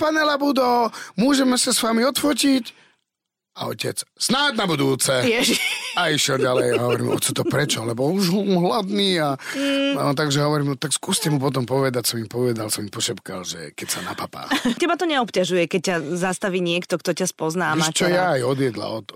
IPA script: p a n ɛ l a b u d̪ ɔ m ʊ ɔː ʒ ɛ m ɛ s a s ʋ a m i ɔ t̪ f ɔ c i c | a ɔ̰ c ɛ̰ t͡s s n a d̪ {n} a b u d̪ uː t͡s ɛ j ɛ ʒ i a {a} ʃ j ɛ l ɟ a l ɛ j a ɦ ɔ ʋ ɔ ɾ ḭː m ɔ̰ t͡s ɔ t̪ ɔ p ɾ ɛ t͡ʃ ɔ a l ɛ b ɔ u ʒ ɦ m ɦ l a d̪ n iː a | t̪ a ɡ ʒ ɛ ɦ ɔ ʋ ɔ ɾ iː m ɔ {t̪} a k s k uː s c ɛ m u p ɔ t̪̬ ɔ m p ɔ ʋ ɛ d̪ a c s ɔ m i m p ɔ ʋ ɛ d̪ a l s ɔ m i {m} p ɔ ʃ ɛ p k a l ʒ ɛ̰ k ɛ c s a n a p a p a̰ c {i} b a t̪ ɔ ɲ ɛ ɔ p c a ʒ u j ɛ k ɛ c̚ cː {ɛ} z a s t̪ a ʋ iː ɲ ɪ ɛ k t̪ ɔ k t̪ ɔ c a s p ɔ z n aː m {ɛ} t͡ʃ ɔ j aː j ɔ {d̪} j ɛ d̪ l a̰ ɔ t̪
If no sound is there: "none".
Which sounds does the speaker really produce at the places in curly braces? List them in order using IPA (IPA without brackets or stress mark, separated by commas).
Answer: n, i, t̪, m, ɛ, a, a, d̪